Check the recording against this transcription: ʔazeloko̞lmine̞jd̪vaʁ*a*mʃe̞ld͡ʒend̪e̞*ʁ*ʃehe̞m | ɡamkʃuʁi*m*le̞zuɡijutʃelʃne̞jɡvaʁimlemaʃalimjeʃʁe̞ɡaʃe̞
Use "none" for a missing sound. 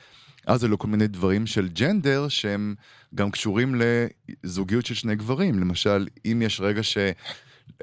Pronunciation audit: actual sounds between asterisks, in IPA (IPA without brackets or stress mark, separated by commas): i, ʁ, m